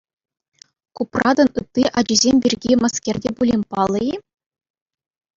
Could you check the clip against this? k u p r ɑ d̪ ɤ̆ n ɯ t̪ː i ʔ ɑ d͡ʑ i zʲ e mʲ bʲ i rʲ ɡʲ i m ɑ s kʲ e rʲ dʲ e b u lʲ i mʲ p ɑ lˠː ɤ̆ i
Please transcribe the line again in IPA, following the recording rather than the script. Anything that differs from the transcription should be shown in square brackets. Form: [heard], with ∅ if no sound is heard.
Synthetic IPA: k u p r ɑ d̪ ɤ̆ n ɯ t̪ː i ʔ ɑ d͡ʑ i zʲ e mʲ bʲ i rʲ ɡʲ i m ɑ s kʲ e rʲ dʲ e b u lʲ i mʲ p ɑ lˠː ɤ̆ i